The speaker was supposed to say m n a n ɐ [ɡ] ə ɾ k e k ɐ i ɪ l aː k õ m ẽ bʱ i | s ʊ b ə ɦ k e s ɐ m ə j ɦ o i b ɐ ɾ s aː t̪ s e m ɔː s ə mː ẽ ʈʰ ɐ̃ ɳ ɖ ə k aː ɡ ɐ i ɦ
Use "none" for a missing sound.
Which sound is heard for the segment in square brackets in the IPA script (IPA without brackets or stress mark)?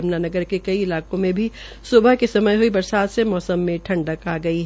ɡ